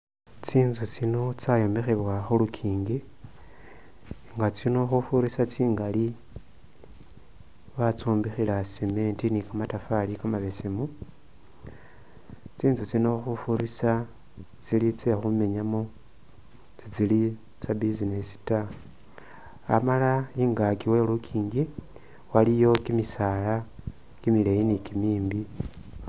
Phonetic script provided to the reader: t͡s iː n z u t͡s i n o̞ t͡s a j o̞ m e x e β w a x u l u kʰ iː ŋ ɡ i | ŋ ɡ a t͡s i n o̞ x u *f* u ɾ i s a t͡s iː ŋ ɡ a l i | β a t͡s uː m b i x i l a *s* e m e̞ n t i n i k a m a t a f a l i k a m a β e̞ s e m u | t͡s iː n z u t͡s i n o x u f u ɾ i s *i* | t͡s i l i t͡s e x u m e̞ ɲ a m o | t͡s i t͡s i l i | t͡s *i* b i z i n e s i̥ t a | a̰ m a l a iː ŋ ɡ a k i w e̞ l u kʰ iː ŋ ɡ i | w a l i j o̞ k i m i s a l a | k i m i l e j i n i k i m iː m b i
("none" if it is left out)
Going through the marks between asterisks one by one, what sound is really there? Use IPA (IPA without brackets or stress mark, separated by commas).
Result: f, s, a, a